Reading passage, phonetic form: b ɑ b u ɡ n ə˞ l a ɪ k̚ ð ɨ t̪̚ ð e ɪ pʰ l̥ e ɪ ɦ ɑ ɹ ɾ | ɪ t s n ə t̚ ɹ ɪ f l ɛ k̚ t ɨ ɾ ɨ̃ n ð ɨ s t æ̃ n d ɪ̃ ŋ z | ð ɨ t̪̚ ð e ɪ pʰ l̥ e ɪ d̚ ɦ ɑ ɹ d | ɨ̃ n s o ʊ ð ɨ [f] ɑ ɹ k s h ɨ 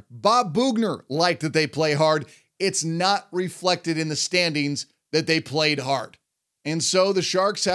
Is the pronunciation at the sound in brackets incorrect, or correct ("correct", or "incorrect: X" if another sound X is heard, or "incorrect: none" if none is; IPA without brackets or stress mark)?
incorrect: ʃ